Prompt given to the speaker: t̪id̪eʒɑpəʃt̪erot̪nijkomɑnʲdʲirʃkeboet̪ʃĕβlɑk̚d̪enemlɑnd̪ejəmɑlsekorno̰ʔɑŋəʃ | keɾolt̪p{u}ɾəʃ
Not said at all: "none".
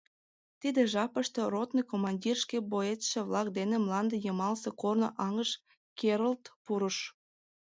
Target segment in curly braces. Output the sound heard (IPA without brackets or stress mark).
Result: u